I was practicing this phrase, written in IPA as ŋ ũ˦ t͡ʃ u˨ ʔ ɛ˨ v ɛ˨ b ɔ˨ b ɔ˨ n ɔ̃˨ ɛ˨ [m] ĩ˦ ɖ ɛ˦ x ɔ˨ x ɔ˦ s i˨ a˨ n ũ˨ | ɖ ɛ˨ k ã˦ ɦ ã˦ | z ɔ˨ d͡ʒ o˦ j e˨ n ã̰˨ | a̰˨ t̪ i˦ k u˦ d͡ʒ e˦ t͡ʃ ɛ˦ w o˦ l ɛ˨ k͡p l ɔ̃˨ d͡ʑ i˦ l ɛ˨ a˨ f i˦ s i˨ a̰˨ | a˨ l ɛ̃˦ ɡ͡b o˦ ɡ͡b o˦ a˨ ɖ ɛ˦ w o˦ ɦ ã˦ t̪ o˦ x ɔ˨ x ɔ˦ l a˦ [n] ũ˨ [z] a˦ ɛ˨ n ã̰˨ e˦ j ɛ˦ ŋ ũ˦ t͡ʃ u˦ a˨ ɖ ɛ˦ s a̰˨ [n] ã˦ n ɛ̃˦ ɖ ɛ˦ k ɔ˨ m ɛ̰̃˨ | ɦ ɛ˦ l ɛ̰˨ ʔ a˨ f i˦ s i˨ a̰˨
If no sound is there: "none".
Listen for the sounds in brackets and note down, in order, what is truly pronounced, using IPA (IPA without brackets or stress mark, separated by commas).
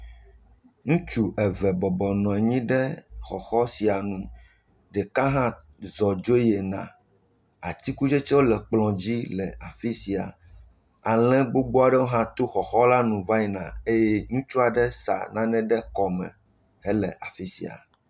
ɲ, n, v, n